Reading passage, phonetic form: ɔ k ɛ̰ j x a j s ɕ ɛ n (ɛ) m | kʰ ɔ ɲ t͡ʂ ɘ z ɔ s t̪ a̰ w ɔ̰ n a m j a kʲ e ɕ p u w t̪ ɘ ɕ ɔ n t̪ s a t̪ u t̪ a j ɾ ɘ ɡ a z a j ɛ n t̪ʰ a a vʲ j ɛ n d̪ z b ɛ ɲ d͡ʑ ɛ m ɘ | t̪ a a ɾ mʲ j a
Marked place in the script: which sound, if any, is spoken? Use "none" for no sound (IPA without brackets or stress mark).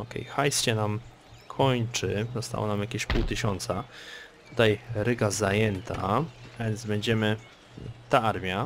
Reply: a